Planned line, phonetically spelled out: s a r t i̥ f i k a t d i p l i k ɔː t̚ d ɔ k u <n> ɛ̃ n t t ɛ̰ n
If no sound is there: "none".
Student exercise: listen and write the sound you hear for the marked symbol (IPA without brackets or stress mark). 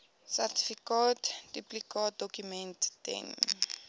m